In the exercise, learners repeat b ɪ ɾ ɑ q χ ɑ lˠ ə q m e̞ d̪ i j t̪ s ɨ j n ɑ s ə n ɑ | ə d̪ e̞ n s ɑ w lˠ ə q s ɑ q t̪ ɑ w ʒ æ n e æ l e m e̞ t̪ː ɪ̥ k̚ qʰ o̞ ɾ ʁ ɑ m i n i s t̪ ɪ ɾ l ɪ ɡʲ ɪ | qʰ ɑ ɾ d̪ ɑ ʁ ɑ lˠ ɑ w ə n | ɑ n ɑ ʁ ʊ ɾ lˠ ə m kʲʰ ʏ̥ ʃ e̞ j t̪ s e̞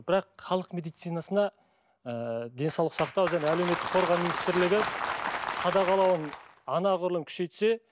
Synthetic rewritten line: b ɪ ɾ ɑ q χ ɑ lˠ ə q m e̞ d̪ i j t̪ s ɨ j n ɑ s ə n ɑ | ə d̪ e̞ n s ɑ w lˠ ə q s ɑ q t̪ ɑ w ʒ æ n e æ l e m e̞ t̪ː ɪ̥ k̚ qʰ o̞ ɾ ʁ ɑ m i n i s t̪ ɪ ɾ l ɪ ɡʲ ɪ | qʰ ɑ d̪ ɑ ʁ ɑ lˠ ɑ w ə n | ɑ n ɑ ʁ ʊ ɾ lˠ ə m kʲʰ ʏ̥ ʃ e̞ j t̪ s e̞